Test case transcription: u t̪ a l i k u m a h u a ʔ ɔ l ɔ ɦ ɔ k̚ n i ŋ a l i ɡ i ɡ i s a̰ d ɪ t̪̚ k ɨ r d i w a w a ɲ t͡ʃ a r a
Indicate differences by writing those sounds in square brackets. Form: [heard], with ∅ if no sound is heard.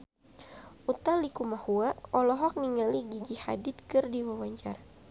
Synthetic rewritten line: u t̪ a l i k u m a h u a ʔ ɔ l ɔ ɦ ɔ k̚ n i ŋ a l i ɡ i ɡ i [h] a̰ d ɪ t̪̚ k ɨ r d i w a w a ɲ t͡ʃ a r a